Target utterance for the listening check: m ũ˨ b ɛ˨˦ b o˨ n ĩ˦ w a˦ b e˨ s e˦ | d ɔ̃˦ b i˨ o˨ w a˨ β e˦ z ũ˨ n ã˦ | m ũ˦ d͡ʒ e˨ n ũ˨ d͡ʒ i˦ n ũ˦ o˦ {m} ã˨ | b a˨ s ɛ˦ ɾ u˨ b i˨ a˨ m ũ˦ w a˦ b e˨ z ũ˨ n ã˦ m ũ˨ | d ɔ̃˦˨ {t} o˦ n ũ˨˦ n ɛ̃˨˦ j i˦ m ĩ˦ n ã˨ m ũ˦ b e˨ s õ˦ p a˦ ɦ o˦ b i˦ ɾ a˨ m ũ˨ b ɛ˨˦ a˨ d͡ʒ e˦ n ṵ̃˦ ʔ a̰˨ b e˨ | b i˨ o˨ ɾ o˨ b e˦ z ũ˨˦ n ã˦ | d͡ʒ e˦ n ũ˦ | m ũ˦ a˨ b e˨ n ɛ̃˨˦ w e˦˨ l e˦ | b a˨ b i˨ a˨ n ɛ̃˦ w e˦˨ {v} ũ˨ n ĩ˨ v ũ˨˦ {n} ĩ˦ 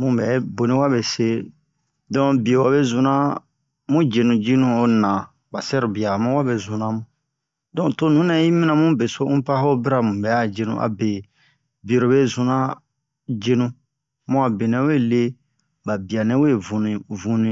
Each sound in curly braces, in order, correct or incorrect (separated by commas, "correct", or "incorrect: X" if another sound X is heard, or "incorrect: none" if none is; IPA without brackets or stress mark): incorrect: n, correct, correct, correct